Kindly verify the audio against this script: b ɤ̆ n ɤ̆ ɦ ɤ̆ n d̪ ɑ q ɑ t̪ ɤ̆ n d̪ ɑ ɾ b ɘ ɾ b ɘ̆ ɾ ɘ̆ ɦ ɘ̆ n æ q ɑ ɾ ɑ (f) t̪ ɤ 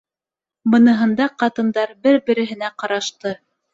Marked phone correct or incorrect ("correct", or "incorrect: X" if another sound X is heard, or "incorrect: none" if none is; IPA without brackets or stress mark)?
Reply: incorrect: ʃ